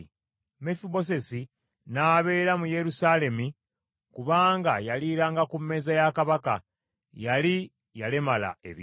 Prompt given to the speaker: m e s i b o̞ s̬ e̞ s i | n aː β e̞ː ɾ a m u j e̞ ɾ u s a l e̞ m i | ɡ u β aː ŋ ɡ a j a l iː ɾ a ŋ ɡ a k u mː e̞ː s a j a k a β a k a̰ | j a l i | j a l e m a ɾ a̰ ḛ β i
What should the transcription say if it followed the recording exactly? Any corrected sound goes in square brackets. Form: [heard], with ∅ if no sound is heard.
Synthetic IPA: m e [f] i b o̞ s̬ e̞ s i | n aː β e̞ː ɾ a m u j e̞ ɾ u s a l e̞ m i | [k] u β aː ŋ ɡ a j a l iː ɾ a ŋ ɡ a k u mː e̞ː [z] a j a k a β a k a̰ | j a l i | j a l e m a [l] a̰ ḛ β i